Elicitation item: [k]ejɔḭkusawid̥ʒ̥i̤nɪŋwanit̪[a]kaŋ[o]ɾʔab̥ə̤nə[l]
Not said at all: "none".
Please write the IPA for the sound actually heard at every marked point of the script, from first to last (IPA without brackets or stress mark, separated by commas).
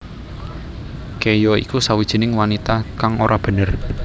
k, a, o, r